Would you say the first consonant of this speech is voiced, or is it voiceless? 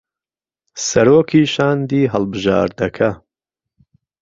voiceless